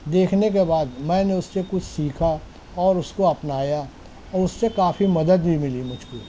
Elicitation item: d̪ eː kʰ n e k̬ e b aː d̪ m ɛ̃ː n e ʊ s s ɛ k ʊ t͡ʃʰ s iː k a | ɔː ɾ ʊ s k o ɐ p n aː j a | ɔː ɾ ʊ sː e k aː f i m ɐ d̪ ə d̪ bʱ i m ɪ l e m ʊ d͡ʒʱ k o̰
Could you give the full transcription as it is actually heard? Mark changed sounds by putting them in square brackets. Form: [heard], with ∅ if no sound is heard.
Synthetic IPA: d̪ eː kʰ n e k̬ e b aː d̪ m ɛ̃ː n e ʊ s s [e] k ʊ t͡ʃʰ s iː [kʰ] a | ɔː ɾ ʊ s k o ɐ p n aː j a | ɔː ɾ ʊ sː e k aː f i m ɐ d̪ ə d̪ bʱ i m ɪ l [i] m ʊ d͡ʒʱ k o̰